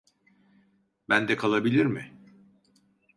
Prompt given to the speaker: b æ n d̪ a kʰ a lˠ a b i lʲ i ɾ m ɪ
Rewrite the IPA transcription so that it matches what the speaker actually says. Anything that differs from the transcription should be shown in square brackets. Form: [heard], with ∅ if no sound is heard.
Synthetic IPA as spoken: b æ n d̪ [ɛ] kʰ a lˠ a b i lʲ i ɾ m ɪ